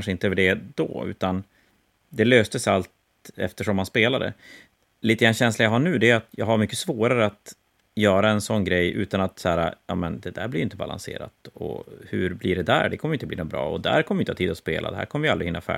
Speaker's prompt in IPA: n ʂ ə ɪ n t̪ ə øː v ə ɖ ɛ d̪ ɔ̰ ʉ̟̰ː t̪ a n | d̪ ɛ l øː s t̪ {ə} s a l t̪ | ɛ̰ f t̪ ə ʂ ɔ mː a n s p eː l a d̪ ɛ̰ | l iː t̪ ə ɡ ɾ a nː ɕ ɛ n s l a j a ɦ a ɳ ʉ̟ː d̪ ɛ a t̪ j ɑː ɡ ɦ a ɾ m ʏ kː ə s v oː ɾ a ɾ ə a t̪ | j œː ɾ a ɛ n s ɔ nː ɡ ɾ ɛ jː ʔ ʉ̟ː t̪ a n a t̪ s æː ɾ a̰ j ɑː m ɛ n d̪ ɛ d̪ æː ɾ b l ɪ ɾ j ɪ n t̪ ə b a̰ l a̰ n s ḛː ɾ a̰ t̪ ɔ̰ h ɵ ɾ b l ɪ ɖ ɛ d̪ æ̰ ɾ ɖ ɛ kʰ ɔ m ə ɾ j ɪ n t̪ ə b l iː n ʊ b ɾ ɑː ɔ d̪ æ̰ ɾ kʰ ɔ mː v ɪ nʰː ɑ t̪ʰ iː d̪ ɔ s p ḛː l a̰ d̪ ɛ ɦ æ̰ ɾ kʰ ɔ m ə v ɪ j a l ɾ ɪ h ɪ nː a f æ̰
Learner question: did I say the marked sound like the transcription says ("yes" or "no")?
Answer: yes